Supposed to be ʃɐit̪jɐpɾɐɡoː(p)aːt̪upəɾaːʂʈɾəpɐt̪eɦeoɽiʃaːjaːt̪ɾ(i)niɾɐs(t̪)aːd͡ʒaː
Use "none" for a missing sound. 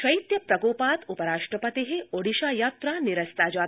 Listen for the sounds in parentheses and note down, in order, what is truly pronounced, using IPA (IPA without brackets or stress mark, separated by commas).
p, a, t̪